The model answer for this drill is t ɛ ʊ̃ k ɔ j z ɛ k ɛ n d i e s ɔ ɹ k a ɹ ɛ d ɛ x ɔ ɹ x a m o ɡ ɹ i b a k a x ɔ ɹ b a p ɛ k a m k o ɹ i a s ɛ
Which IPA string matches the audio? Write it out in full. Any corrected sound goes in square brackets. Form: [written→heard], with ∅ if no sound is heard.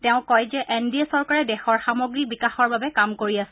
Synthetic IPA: t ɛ ʊ̃ k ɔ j z ɛ [k→ʔ] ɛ n d i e s ɔ ɹ k a ɹ ɛ d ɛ x ɔ ɹ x a m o ɡ ɹ i b [a→i] k a x ɔ ɹ b a [p→b] ɛ k a m k o ɹ i a s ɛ